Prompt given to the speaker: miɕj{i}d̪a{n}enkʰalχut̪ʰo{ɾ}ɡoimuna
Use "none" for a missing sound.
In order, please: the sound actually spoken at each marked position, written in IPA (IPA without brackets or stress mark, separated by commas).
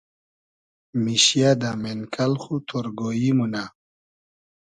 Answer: a, m, ɾ